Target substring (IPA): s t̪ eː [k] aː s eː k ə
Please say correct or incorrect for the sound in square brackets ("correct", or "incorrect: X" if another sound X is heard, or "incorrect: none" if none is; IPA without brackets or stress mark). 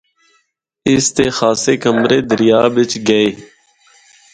incorrect: x